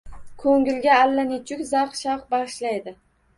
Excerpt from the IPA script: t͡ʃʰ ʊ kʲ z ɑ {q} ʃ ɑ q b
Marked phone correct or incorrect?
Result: correct